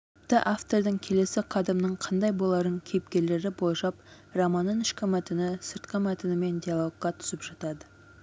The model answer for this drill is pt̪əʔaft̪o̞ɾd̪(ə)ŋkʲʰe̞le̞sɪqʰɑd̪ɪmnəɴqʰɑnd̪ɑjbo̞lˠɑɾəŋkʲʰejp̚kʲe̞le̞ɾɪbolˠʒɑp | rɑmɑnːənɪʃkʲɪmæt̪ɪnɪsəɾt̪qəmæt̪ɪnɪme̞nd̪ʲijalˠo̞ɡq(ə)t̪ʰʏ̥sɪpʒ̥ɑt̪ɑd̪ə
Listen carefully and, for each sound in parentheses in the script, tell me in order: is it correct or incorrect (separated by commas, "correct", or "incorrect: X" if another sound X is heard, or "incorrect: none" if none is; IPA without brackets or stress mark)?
correct, incorrect: ɑ